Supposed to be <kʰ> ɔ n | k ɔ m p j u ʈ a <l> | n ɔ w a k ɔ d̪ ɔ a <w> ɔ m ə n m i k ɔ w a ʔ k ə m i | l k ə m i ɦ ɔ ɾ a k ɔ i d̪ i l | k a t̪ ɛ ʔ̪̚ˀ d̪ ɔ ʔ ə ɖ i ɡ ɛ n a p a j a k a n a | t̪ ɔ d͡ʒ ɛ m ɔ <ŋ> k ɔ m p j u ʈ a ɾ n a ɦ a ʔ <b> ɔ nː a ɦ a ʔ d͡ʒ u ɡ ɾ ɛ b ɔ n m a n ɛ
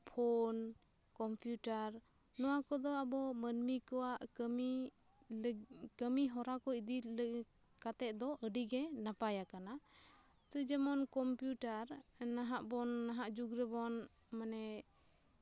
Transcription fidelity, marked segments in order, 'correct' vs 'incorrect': incorrect: pʰ, incorrect: ɾ, incorrect: b, incorrect: n, correct

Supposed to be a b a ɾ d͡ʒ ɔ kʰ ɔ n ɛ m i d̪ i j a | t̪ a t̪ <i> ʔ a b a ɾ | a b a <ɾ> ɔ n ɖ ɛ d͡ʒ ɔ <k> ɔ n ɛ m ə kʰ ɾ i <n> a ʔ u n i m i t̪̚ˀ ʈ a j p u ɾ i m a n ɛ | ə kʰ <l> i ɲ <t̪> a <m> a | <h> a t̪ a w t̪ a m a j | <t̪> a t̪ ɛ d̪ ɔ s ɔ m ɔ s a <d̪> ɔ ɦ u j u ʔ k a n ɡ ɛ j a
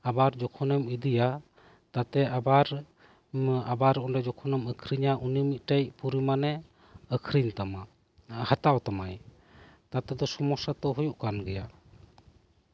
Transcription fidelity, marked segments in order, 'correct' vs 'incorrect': incorrect: ɛ, correct, incorrect: kʰ, incorrect: ɲ, incorrect: ɾ, correct, correct, correct, correct, incorrect: t̪

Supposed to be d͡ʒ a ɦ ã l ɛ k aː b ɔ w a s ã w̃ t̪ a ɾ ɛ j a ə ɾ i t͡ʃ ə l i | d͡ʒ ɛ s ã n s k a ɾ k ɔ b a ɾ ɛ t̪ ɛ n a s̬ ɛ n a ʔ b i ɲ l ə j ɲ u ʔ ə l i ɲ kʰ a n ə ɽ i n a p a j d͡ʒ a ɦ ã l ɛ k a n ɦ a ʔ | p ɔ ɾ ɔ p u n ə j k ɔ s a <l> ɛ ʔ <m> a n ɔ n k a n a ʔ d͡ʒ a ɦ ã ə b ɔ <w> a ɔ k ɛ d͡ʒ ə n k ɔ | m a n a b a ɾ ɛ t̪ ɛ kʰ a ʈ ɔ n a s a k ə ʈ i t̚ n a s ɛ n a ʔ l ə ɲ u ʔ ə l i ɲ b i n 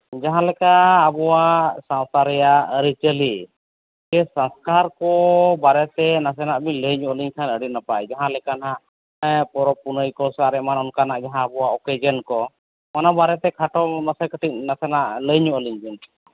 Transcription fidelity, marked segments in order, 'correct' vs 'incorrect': incorrect: ɾ, correct, correct

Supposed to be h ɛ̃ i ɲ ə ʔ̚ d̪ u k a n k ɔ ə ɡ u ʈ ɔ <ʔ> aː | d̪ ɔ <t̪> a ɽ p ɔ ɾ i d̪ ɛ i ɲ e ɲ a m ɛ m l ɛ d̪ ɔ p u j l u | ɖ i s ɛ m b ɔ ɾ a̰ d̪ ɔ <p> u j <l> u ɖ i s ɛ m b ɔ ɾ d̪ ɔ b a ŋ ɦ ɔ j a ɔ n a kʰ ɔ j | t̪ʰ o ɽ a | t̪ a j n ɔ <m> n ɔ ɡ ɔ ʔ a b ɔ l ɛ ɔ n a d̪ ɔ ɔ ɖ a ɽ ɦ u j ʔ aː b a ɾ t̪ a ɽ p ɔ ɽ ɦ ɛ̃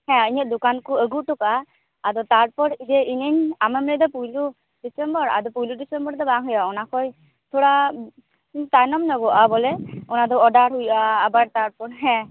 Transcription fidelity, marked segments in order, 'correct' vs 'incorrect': incorrect: k, correct, correct, correct, correct

